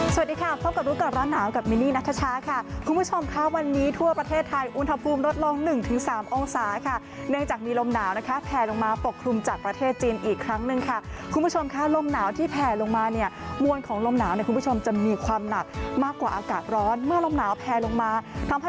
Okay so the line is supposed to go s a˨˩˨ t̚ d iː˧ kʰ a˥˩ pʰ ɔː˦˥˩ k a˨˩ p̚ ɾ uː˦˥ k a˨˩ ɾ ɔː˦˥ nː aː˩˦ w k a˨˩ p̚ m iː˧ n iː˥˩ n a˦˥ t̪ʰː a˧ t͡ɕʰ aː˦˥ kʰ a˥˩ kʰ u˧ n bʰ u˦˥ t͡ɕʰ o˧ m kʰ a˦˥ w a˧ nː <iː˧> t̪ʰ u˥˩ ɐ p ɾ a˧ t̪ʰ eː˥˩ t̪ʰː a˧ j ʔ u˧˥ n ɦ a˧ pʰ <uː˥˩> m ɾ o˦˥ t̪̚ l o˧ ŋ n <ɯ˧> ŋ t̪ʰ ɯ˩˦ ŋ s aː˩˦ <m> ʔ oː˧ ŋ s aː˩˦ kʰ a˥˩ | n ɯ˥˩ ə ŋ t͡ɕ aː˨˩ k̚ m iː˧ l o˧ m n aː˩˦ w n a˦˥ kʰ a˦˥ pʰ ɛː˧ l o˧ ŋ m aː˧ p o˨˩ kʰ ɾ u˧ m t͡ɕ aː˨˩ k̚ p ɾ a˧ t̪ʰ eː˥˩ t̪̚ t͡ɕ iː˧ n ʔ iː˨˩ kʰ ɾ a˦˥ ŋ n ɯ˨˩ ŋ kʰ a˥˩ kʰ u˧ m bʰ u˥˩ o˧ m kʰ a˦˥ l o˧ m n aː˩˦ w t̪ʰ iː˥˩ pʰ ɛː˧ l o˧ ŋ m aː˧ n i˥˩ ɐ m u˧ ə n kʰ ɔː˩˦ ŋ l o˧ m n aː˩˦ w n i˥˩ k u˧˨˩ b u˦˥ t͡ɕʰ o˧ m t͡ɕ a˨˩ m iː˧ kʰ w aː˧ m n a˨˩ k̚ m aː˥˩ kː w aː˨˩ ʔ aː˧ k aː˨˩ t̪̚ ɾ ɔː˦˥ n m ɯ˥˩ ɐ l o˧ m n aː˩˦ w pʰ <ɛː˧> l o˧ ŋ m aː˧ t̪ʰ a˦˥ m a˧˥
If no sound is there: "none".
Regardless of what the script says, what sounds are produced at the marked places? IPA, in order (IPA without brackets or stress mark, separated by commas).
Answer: iː˦˥, uː˧, ɯ˨˩, m, ɛː˧